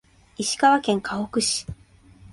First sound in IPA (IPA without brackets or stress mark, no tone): i